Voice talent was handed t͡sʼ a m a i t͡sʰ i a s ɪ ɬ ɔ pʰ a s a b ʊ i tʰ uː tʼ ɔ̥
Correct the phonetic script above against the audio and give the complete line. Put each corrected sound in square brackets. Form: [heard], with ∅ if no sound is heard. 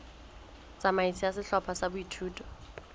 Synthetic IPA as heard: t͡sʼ a m a i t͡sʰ i a s ɪ ɬ ɔ pʰ a s a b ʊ i tʰ uː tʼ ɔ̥